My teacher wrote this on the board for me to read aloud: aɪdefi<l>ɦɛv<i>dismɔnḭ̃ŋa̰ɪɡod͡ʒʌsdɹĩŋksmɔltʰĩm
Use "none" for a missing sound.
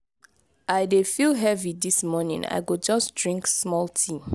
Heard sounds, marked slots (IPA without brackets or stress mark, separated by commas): l, i